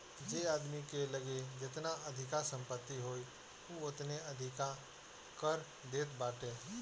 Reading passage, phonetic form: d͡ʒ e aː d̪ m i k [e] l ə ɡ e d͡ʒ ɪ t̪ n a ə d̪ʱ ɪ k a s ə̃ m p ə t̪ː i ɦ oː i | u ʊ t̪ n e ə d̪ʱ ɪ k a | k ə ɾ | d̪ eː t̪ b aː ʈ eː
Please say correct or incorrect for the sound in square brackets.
correct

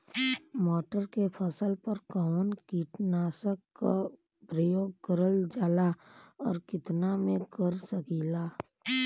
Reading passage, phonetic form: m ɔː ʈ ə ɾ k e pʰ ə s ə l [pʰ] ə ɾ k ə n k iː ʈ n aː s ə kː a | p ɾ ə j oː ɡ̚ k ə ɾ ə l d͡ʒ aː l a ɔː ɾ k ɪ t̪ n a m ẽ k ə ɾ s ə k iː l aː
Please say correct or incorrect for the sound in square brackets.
incorrect: p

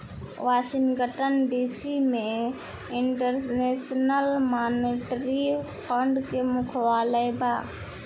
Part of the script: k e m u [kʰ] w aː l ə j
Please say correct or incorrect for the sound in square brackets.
correct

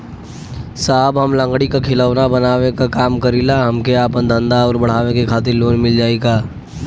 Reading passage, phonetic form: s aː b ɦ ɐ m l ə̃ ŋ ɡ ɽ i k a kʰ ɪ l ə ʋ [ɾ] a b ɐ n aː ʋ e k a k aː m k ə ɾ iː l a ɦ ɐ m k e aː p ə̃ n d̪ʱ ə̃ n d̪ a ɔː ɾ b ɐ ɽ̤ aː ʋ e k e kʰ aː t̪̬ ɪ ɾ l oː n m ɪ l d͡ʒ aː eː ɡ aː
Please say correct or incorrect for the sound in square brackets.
correct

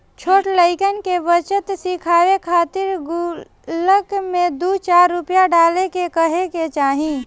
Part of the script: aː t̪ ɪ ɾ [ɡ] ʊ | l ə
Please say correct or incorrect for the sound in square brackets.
correct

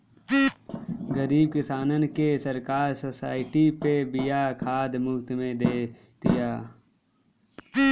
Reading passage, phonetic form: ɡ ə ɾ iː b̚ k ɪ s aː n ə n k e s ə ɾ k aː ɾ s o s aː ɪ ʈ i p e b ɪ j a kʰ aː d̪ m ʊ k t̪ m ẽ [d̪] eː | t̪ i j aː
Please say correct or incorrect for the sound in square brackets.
correct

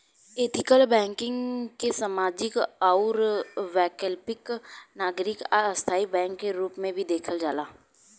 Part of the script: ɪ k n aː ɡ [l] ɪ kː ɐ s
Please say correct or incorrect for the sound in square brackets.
incorrect: ɾ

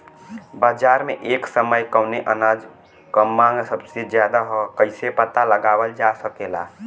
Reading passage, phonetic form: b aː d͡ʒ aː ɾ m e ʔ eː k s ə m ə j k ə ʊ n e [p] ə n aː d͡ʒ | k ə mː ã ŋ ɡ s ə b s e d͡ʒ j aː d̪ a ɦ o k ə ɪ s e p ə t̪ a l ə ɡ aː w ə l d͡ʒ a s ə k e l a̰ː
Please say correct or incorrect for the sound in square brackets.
incorrect: ʔ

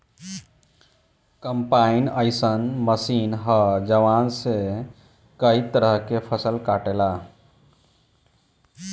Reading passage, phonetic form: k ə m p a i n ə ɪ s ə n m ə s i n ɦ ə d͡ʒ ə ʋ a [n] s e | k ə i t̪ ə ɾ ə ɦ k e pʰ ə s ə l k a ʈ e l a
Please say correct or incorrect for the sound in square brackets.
correct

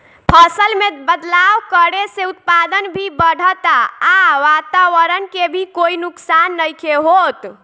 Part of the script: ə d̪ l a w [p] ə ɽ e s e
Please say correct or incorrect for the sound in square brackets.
incorrect: k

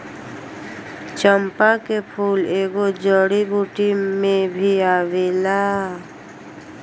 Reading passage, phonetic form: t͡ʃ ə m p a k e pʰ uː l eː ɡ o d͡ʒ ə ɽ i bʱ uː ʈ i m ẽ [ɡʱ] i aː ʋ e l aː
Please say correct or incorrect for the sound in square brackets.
incorrect: bʱ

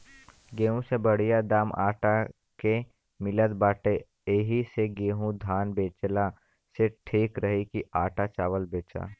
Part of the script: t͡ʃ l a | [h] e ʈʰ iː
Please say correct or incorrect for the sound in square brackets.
incorrect: s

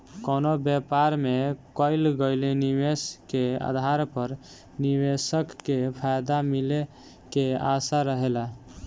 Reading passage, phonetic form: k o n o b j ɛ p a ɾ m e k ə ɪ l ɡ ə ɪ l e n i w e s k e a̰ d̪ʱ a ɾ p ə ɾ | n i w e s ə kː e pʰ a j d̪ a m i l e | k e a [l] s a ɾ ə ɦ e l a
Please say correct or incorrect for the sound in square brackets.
incorrect: none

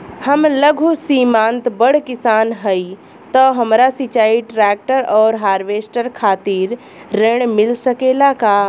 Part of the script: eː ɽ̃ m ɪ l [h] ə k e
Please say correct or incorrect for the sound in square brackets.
incorrect: s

